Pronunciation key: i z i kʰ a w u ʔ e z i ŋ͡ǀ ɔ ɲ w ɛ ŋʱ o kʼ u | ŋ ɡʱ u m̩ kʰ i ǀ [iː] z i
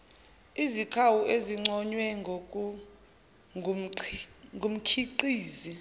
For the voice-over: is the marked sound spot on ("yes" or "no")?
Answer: yes